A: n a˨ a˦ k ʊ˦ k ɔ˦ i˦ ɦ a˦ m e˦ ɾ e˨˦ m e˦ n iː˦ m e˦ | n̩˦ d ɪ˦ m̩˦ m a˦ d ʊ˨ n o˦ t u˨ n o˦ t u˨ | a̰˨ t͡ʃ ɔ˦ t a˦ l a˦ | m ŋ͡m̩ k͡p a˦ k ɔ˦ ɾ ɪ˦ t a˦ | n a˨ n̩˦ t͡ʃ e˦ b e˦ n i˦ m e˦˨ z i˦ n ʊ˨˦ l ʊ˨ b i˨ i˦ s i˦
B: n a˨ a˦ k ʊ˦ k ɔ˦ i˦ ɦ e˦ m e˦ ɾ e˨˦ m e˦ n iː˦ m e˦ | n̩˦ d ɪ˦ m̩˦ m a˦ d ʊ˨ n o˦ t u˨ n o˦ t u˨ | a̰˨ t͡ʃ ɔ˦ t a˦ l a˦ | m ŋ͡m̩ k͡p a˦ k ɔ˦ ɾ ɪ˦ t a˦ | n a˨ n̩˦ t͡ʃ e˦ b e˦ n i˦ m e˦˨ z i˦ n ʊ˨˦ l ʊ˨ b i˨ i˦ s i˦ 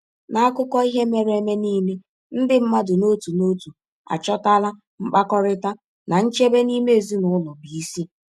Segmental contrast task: B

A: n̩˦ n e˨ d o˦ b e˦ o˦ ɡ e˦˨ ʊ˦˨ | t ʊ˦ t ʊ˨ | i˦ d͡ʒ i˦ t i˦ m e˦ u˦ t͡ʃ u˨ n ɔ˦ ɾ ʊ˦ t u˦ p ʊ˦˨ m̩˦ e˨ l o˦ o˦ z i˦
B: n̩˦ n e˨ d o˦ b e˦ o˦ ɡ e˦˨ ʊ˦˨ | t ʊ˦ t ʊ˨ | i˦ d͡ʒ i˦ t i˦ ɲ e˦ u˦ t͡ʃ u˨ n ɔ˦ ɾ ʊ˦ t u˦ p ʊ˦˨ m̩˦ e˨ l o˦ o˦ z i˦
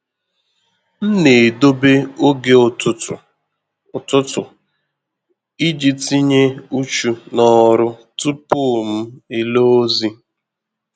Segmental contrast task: B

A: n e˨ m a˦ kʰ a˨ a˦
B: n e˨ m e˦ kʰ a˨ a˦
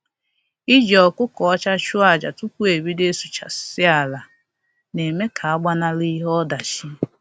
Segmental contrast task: B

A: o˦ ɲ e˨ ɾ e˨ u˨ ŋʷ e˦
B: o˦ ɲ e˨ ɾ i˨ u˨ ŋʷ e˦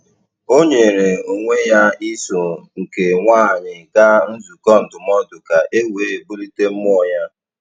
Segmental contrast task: A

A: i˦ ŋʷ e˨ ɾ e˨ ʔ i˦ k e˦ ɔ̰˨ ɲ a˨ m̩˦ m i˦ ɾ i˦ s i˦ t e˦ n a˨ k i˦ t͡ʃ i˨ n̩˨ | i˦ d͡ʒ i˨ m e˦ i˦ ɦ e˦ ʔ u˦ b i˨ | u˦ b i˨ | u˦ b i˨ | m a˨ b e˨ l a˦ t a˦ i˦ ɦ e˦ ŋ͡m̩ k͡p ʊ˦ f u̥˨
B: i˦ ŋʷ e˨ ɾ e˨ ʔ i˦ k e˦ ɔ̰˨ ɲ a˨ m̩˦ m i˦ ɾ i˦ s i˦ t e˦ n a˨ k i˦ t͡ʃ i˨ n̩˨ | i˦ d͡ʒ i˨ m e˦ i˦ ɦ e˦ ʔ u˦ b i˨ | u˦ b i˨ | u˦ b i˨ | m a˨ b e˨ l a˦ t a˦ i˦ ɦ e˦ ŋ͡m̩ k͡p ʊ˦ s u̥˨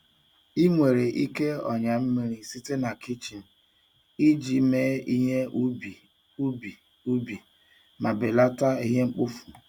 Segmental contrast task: A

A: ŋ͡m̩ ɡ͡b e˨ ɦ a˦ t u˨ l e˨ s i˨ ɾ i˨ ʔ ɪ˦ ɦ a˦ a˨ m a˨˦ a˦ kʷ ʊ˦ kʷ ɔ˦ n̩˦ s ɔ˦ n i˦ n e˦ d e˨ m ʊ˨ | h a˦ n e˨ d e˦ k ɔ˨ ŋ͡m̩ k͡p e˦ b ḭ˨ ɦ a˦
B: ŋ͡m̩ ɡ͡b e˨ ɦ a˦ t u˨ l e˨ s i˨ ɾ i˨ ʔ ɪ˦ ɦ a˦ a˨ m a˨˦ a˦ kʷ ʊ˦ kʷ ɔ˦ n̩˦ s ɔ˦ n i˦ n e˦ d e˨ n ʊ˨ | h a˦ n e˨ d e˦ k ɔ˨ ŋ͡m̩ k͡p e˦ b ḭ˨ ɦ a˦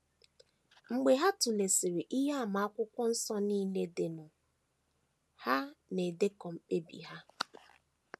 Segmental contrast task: B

